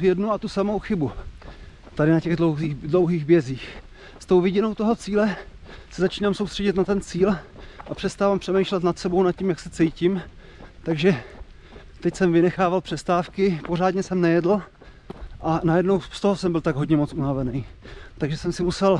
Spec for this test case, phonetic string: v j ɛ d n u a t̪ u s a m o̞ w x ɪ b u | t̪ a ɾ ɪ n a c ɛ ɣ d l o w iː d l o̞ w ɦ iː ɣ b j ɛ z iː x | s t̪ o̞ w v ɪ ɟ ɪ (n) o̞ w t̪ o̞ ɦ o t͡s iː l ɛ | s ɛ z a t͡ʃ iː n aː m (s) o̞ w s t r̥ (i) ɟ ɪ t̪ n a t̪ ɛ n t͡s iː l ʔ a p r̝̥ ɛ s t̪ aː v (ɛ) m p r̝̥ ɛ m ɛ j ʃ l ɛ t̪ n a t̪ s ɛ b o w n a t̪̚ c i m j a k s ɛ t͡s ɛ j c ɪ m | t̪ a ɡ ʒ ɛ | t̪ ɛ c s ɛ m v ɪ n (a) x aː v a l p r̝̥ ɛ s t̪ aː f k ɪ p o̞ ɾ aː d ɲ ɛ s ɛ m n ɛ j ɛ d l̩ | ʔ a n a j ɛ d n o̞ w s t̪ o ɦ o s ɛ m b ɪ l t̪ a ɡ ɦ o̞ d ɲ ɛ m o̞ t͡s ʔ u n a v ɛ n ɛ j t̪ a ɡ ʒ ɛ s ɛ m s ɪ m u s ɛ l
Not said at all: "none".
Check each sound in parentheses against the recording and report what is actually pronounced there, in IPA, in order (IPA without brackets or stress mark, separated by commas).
n, s, ɛ, a, ɛ